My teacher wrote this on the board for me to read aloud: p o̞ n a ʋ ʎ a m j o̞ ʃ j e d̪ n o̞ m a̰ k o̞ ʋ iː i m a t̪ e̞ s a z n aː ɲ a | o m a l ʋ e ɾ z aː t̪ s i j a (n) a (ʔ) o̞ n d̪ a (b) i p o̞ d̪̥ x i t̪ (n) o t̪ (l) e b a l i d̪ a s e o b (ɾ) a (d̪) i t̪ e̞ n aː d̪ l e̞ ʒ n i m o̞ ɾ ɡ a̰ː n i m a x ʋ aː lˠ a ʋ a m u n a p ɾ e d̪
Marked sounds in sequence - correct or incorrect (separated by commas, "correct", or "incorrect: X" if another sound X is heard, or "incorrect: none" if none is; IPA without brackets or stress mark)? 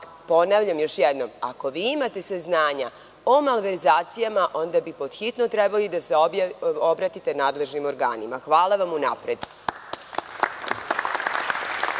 incorrect: m, correct, correct, correct, incorrect: ɾ, correct, incorrect: t̪